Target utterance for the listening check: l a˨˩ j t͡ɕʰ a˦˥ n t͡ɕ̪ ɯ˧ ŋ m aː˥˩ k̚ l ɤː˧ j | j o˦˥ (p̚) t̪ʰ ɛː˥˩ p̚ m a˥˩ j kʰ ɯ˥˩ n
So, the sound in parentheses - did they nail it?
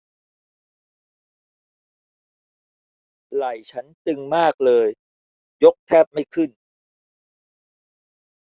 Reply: no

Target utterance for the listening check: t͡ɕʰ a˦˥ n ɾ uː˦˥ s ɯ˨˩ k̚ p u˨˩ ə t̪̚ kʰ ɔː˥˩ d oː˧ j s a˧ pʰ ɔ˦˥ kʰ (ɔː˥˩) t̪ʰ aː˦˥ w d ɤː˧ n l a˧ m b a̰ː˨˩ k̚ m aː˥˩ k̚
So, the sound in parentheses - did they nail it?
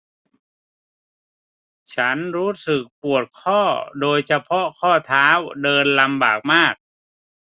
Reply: yes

